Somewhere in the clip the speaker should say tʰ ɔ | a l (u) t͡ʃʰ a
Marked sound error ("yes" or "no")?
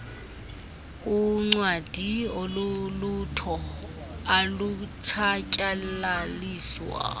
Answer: no